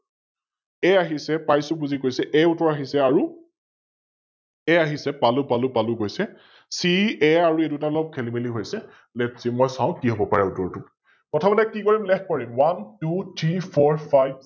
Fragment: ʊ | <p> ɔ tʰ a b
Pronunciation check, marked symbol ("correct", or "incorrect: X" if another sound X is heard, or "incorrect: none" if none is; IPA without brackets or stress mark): incorrect: k